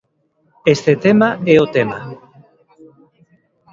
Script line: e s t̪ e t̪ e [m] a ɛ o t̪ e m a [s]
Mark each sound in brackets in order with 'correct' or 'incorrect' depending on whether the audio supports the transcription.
correct, incorrect

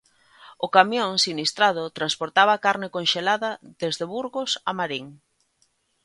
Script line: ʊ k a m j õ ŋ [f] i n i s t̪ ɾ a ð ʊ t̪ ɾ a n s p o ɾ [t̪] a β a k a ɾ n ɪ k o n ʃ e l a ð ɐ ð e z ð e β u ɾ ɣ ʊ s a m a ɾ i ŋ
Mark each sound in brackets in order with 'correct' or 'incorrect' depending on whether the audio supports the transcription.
incorrect, correct

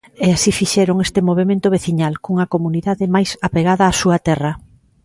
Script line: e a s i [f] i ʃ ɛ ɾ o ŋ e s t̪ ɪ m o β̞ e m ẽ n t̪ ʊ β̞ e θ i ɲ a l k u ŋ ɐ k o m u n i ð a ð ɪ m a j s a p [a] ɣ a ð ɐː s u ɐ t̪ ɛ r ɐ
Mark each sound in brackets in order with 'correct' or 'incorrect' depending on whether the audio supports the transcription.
correct, incorrect

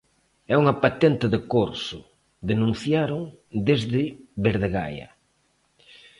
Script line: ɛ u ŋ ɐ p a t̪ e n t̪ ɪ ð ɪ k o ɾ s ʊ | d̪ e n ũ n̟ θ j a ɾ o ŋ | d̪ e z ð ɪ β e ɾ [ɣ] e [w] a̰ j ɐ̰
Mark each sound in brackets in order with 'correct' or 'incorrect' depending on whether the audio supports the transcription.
incorrect, incorrect

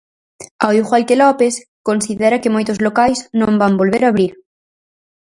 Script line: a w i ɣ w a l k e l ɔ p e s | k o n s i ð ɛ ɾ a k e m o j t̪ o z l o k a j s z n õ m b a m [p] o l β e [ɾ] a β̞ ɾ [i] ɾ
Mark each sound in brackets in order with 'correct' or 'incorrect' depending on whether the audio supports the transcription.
incorrect, correct, correct

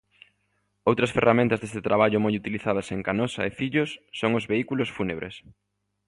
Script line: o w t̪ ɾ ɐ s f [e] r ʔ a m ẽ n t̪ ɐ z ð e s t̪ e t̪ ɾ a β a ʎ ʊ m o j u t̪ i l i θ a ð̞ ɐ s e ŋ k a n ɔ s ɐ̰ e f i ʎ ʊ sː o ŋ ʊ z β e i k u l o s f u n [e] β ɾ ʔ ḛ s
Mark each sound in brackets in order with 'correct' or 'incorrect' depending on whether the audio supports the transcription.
correct, correct

